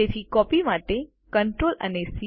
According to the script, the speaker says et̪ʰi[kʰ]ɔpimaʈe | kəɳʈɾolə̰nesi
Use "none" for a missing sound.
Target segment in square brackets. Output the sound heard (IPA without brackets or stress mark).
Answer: k